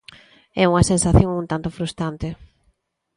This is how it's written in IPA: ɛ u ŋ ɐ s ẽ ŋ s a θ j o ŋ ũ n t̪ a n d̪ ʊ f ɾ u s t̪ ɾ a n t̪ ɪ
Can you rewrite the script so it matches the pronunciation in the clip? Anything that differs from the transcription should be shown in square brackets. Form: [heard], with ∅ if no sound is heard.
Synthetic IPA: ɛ u ŋ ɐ s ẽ [n] s a θ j o ŋ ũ n t̪ a n [t̪] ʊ f ɾ u s t̪ ɾ a n t̪ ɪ